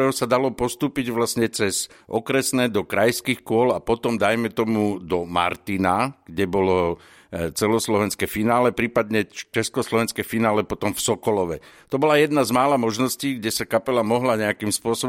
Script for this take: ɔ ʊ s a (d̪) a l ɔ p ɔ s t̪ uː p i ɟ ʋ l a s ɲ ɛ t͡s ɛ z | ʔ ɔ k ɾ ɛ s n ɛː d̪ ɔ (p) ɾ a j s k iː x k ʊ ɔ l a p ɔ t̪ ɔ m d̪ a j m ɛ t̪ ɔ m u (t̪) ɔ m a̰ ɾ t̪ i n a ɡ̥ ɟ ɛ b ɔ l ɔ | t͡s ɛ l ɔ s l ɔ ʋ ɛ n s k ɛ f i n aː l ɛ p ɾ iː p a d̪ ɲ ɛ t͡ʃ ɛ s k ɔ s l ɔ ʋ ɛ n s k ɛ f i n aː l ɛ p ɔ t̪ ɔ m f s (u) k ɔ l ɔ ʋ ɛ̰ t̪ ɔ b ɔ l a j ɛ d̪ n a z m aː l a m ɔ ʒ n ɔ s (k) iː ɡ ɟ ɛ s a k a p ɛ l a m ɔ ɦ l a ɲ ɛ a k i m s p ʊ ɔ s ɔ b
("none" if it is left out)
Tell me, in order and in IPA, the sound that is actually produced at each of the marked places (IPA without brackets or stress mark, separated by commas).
d̪, k, d̪, ɔ, c